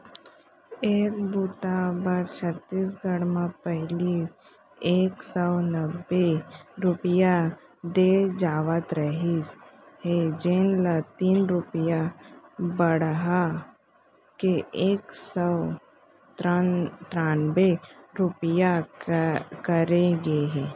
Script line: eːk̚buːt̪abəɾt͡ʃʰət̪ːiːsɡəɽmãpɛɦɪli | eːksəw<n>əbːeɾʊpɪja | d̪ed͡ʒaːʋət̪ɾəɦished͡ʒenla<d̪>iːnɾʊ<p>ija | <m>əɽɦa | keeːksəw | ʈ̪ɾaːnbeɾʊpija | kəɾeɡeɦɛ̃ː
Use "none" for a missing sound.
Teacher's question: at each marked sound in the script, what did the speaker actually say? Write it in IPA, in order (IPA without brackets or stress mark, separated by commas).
n, t̪, p, b